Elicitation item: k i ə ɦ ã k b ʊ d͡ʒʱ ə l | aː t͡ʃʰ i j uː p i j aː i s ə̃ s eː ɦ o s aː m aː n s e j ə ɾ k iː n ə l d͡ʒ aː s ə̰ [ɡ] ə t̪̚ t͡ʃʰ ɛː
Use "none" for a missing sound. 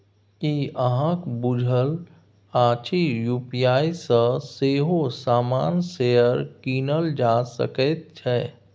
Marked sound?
k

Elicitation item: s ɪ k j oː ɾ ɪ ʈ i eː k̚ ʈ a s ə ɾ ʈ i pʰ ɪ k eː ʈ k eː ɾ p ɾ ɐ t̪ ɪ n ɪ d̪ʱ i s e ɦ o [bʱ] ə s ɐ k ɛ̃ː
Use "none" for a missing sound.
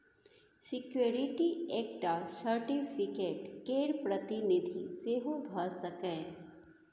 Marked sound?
bʱ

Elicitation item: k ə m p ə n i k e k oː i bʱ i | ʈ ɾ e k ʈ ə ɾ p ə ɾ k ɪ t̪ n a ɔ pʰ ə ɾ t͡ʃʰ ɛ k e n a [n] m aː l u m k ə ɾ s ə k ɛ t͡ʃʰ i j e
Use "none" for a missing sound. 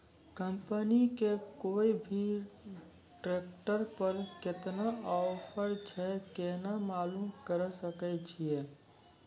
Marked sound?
none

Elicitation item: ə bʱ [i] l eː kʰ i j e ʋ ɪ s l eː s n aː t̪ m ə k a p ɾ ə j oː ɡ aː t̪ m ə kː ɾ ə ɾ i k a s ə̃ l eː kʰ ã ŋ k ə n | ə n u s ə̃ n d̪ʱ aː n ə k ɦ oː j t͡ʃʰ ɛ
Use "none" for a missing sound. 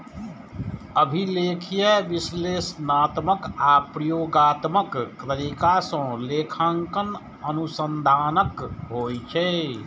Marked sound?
i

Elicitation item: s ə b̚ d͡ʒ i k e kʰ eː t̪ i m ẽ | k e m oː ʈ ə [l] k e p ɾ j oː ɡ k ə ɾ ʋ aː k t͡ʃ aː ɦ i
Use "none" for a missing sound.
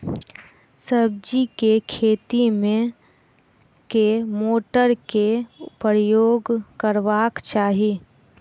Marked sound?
ɾ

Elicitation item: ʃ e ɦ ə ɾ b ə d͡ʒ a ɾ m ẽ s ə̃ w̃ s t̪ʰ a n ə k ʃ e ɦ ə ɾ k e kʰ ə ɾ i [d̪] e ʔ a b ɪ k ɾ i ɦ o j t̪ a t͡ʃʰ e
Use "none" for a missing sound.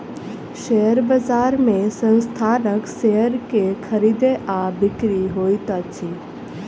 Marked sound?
d̪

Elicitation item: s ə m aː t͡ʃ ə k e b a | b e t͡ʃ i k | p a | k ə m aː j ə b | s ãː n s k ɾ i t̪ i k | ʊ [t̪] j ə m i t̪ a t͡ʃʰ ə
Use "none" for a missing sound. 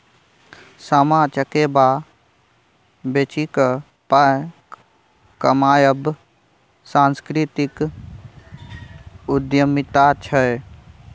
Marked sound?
d̪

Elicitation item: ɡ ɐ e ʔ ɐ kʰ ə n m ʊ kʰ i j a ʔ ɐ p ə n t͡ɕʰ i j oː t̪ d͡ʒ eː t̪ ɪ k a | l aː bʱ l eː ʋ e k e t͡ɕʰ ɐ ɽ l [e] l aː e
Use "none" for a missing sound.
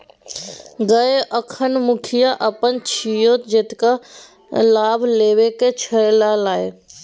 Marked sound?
a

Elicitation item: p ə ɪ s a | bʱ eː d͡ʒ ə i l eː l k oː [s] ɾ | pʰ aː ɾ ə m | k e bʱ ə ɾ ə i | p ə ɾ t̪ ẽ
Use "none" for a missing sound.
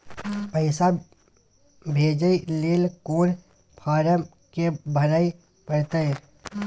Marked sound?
none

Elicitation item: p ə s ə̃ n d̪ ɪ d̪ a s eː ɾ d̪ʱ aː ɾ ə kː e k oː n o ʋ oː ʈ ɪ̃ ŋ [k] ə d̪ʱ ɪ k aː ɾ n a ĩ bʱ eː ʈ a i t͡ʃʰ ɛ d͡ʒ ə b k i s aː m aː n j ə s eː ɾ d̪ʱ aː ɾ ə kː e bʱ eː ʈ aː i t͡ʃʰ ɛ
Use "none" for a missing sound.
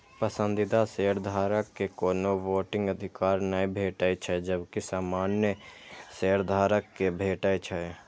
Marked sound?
ɡ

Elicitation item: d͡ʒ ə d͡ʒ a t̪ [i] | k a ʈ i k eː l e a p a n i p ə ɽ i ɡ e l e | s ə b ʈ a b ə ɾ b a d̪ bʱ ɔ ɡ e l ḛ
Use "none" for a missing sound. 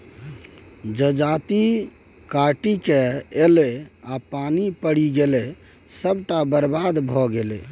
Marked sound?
i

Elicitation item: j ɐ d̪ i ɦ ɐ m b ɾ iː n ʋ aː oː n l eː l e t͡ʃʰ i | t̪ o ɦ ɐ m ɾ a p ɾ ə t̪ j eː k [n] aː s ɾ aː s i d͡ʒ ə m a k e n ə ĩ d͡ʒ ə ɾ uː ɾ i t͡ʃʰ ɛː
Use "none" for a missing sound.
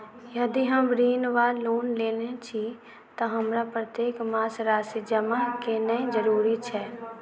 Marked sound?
m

